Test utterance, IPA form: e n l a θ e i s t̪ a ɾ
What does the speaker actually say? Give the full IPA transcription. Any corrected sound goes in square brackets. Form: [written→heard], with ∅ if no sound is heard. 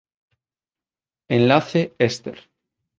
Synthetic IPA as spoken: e n l a θ e [i→e] s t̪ [a→e] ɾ